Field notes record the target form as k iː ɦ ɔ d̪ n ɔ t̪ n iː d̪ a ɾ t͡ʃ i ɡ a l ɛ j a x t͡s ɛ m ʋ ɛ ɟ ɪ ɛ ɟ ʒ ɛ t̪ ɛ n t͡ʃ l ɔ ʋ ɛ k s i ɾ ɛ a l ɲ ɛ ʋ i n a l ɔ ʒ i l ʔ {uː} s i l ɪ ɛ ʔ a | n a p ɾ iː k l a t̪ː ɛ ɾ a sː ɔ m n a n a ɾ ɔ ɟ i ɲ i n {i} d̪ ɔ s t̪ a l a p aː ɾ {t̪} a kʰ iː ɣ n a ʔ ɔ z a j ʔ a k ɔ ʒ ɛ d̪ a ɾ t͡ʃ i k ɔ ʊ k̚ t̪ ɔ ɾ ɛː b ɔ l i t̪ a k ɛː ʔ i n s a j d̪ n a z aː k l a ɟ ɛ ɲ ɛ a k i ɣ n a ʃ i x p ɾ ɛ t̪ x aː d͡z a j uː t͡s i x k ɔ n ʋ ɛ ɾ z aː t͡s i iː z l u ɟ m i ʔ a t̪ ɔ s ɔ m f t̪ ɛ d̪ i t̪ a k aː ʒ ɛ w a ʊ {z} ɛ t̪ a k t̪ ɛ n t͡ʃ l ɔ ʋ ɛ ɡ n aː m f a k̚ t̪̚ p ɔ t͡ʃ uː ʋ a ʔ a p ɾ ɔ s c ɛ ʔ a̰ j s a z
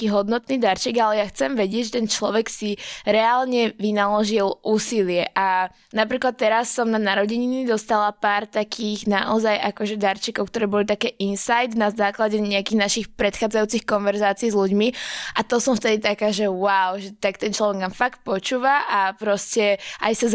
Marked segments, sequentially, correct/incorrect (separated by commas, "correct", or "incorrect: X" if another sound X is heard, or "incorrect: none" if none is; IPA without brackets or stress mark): correct, correct, correct, incorrect: ʒ